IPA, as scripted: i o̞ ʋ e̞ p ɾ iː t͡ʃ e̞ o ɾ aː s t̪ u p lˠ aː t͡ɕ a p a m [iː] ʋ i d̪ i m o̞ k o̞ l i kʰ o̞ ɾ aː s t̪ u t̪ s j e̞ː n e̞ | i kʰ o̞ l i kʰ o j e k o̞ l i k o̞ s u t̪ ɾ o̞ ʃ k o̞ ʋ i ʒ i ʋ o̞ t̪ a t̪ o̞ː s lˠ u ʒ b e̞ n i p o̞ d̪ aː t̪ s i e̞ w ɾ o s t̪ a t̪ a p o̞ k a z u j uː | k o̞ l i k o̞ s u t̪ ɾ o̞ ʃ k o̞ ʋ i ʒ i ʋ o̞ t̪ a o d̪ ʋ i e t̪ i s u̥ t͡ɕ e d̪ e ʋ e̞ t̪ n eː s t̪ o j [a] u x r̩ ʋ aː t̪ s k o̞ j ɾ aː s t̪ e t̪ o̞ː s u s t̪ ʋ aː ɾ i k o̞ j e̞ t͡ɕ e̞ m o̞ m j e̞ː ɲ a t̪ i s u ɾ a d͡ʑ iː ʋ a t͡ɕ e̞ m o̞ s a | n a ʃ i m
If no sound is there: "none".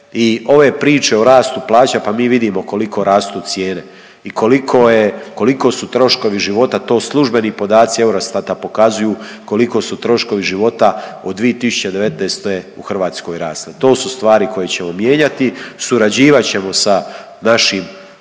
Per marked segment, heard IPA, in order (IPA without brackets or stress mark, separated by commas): iː, e